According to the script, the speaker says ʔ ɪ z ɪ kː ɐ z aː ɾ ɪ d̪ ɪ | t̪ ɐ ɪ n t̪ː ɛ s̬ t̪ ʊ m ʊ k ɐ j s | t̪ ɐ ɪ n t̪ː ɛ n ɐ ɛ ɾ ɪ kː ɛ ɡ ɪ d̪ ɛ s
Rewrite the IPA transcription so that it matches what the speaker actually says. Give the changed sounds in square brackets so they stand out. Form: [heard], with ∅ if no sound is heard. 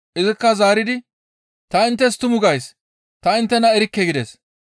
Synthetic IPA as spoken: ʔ ɪ z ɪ kː ɐ z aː ɾ ɪ d̪ ɪ | t̪ ɐ ɪ n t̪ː ɛ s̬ t̪ ʊ m ʊ [ɡ] ɐ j s | t̪ ɐ ɪ n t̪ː ɛ n ɐ ɛ ɾ ɪ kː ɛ ɡ ɪ d̪ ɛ s